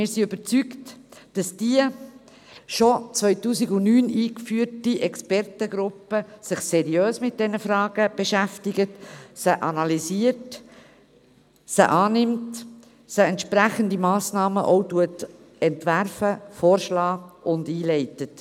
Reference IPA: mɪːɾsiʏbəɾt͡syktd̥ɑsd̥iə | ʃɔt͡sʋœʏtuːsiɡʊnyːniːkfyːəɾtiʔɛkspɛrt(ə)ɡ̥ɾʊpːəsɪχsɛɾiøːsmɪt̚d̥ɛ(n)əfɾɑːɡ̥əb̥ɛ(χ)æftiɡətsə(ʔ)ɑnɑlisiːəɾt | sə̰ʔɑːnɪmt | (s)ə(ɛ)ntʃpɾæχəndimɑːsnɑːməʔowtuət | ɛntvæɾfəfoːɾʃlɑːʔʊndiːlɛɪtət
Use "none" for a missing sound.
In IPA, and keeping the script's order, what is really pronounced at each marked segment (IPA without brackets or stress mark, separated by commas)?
ə, n, ʃ, ʔ, s, ɛ